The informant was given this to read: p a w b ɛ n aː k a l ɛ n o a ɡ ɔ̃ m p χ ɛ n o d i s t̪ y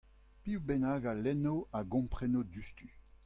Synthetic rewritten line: p i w b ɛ n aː ɡ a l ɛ n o a ɡ ɔ̃ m p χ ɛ n o d y s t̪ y